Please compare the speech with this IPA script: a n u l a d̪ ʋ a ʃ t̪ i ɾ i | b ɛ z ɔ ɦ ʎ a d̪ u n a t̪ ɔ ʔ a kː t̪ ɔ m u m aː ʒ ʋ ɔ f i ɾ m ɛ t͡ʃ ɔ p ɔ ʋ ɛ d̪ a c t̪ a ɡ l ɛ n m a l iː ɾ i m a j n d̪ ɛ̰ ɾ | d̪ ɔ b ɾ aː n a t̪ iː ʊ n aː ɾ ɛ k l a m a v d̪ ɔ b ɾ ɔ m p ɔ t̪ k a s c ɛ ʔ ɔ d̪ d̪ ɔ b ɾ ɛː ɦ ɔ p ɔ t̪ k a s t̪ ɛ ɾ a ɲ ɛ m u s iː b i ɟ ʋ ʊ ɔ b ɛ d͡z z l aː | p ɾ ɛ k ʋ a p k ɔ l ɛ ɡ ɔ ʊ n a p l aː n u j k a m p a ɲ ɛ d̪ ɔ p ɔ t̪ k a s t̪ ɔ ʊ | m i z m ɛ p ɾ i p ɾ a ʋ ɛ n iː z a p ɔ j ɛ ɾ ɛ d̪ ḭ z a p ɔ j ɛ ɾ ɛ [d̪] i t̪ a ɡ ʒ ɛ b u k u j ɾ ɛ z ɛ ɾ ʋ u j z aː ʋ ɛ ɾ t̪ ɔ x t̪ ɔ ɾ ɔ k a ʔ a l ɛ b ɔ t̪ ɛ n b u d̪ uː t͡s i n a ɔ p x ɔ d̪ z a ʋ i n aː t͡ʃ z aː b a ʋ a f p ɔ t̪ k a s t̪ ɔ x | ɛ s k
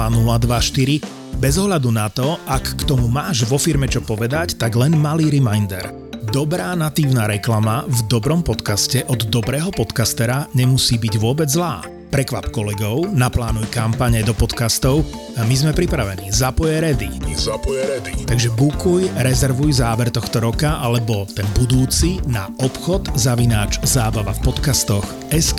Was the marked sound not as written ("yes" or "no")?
no